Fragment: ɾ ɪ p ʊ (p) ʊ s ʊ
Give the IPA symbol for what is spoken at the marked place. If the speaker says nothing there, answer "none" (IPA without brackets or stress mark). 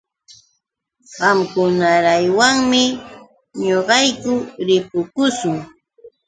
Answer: k